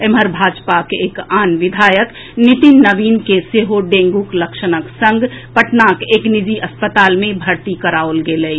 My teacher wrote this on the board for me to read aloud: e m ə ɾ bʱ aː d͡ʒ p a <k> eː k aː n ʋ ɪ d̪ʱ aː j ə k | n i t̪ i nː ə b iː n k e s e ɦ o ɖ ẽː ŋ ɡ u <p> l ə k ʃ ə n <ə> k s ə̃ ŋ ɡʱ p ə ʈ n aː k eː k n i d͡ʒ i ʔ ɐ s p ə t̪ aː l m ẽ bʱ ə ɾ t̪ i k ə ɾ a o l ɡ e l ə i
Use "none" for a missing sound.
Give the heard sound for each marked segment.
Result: k, k, ə

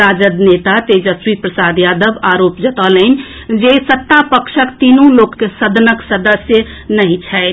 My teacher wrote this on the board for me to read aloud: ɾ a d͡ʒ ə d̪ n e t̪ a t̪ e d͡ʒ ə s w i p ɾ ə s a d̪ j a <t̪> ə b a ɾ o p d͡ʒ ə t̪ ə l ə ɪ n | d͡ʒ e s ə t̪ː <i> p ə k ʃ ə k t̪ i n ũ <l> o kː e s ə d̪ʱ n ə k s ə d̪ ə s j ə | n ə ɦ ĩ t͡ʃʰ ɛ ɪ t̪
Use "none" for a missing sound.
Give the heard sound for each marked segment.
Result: d̪, a, l

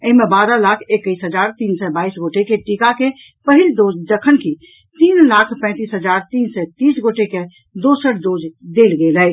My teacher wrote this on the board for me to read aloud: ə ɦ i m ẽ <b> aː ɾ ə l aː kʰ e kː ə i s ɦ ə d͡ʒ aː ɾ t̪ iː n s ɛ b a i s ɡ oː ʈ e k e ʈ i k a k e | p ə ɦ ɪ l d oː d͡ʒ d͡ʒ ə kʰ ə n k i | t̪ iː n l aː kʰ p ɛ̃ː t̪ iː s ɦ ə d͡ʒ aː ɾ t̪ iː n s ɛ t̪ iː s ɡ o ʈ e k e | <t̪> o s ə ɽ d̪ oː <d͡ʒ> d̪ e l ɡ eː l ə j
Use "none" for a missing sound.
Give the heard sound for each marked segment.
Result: b, d̪, d͡ʒ

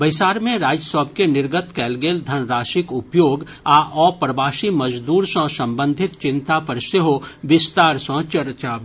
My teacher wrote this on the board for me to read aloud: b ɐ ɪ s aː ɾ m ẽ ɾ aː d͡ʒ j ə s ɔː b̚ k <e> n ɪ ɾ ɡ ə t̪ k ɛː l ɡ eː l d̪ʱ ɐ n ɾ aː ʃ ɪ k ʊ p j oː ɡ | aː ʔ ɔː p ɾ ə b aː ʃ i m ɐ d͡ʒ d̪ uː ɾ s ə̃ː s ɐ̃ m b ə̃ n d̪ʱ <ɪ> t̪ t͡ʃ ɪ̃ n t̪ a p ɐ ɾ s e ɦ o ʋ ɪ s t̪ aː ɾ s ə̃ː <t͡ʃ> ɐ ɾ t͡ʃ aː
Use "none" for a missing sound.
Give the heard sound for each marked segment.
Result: e, ɪ, t͡ʃ

